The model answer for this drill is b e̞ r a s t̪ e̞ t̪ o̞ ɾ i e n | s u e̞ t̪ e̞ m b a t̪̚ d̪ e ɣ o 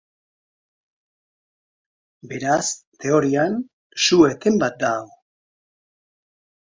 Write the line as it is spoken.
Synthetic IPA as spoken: b e̞ ɾ a s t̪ e̞ o̞ ɾ i a n | s u e̞ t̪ e̞ m b a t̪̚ d̪ a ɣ o